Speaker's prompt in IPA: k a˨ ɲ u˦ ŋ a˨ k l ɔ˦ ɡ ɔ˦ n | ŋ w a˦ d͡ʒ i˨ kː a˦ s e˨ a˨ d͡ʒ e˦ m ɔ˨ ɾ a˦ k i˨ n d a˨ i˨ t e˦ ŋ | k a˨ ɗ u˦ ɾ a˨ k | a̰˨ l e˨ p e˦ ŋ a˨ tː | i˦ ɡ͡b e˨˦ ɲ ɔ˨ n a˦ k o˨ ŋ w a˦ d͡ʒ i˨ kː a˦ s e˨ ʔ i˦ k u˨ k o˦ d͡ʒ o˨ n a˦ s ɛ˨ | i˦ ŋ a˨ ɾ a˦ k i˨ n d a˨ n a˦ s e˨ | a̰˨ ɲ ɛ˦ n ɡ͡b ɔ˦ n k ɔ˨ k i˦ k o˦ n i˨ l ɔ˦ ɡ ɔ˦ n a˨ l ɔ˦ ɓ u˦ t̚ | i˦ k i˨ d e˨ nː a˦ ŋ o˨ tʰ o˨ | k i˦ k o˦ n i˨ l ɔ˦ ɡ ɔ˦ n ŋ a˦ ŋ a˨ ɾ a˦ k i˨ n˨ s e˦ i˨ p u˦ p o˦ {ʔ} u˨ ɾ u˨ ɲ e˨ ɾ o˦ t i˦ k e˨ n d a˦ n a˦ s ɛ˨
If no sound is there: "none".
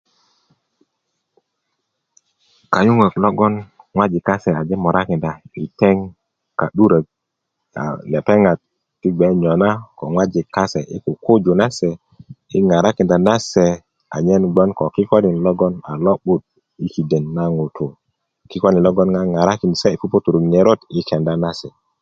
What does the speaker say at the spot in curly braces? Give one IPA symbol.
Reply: t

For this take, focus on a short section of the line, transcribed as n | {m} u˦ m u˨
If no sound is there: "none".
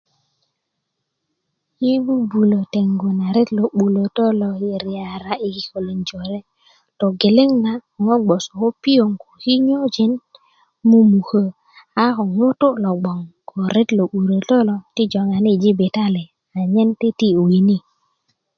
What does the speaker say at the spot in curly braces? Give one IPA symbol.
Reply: m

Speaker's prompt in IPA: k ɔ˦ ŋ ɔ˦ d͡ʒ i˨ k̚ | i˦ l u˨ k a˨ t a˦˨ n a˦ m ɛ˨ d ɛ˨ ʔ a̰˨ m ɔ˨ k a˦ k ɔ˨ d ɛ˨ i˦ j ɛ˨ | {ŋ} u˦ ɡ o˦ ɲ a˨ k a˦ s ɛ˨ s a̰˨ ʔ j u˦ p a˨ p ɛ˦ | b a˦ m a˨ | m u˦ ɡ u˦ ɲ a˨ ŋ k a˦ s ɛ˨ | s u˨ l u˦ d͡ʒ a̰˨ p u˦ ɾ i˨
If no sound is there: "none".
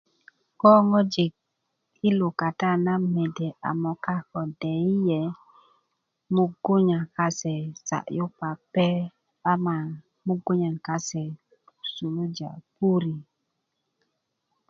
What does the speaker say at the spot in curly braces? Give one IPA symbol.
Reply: m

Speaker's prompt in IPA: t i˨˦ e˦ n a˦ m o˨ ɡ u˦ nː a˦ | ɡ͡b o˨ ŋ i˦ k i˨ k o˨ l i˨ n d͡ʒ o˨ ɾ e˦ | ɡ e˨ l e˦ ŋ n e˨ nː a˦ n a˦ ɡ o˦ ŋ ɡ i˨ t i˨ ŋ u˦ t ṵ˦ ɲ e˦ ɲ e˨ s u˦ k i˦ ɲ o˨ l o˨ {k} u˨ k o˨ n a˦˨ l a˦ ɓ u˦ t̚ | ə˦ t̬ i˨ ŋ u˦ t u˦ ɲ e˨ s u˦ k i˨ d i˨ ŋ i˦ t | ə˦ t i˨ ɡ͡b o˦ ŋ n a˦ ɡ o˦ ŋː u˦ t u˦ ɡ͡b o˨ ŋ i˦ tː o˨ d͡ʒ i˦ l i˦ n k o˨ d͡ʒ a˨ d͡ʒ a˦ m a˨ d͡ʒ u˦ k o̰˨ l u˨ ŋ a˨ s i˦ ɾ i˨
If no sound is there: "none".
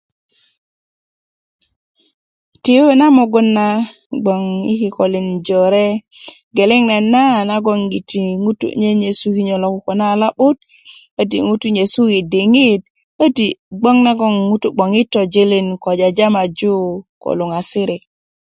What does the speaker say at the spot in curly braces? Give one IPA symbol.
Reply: k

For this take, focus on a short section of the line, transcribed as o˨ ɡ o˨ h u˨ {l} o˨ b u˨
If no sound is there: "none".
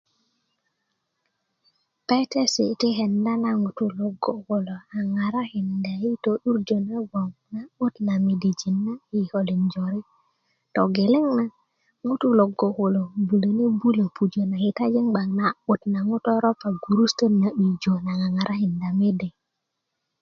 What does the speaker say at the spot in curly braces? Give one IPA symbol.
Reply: l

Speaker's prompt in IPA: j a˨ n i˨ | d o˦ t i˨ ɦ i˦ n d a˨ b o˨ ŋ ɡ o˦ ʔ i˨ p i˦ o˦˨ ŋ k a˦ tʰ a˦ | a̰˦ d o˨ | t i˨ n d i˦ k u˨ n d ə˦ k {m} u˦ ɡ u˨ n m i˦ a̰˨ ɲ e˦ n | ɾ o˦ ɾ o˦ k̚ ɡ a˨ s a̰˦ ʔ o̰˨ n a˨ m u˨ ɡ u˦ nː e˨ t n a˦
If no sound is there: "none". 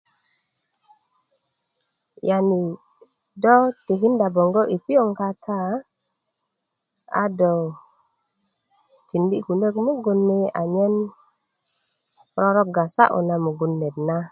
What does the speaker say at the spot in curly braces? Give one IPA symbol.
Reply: m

